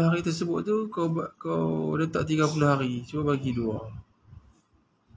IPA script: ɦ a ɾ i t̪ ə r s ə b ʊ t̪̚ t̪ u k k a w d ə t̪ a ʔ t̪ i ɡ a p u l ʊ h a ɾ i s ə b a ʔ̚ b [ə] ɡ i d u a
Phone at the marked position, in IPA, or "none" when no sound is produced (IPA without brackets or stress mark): a